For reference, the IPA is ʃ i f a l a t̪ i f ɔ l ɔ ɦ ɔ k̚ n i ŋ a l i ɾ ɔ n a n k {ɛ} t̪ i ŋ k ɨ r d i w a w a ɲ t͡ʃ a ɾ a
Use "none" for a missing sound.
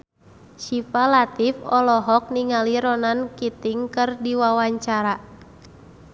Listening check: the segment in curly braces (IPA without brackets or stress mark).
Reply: i